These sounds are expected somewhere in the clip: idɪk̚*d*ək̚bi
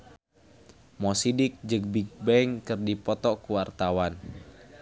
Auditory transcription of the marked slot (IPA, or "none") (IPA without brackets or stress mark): d͡ʒ